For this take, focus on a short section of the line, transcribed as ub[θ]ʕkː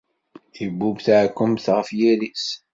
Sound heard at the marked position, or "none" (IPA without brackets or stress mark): θ